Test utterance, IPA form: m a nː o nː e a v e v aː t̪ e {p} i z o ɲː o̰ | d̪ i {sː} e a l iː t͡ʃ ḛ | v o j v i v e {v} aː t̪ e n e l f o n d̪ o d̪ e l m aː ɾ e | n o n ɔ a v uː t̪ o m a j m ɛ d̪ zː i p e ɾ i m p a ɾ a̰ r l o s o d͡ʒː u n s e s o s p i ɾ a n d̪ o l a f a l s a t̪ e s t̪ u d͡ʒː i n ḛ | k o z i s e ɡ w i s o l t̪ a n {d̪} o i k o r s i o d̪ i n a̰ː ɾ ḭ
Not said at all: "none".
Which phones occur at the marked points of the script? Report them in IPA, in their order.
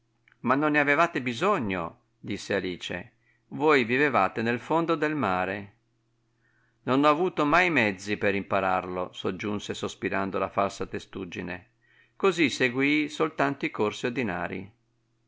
b, sː, v, t̪

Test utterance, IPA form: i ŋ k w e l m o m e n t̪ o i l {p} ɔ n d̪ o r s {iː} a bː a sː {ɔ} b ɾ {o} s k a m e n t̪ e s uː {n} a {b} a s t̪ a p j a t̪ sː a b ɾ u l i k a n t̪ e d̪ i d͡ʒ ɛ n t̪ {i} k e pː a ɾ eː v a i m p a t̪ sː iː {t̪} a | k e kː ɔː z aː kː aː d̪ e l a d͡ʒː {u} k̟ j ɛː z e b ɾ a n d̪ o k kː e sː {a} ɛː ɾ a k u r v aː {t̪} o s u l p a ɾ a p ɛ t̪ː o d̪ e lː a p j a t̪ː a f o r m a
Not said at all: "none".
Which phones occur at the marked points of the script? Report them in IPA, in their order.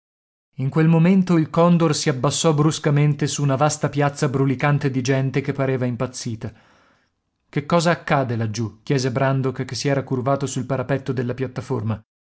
k, i, ɔ, u, n, v, e, t̪, u, i, t̪

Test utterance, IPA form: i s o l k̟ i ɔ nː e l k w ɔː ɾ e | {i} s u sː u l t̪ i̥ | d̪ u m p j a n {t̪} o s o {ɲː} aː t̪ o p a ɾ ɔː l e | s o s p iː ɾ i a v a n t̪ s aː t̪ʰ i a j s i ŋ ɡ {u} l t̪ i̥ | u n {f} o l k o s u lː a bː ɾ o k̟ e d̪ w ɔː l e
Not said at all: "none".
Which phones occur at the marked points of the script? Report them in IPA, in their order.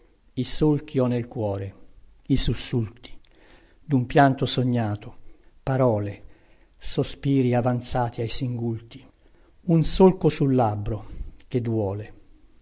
i, t̪, ɲː, u, s

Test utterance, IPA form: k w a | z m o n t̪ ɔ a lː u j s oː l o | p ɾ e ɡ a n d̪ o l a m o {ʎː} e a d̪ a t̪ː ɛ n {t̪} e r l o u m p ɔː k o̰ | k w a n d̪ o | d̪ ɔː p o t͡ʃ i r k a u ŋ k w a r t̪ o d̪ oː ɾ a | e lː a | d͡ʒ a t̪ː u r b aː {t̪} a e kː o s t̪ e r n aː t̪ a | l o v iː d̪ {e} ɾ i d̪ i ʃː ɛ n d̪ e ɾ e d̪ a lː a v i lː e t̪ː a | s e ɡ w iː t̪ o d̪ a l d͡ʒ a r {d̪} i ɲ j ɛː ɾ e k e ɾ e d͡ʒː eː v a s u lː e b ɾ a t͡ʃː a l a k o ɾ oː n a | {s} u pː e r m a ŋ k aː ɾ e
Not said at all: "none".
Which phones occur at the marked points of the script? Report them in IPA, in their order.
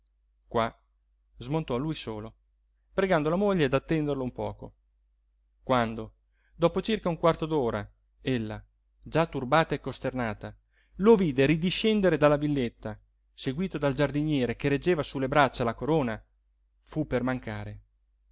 ʎː, d̪, t̪, e, d̪, f

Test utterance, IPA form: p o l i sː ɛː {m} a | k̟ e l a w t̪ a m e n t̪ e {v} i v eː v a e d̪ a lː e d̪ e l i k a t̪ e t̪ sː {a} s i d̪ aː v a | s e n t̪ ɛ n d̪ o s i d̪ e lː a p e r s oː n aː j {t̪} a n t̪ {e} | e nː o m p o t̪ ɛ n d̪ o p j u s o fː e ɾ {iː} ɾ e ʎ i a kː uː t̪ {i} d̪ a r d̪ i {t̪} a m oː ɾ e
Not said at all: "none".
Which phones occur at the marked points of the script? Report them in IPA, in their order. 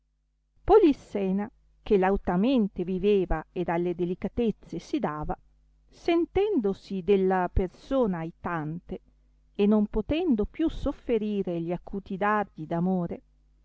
n, v, e, t̪, e, iː, i, d̪

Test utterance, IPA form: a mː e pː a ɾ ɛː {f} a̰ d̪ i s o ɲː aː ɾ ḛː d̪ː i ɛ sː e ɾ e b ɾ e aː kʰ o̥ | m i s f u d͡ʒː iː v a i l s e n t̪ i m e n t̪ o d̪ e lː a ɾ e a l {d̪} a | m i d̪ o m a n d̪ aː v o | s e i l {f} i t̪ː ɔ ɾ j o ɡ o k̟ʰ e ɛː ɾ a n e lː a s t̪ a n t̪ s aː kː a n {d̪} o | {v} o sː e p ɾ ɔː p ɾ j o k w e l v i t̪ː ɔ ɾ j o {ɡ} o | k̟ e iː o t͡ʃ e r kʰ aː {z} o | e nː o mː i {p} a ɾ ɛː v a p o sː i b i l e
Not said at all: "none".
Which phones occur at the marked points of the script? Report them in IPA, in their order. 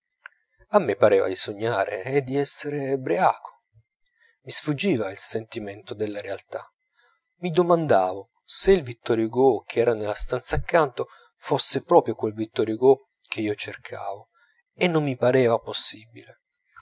v, t̪, v, t̪, f, ɡ, v, p

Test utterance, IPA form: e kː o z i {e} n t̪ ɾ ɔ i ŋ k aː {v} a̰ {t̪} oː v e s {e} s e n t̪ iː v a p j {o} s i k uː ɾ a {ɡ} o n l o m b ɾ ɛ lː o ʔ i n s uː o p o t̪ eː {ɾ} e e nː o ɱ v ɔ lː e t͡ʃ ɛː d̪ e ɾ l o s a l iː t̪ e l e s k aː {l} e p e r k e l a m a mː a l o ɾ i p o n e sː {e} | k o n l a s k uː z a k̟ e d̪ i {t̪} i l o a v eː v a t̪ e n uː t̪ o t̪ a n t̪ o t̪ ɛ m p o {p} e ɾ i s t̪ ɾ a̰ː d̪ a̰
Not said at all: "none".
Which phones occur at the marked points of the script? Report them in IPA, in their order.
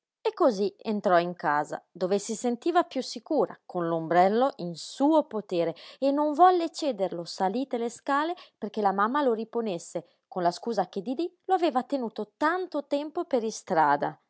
e, z, d̪, i, u, k, ɾ, l, e, d̪, p

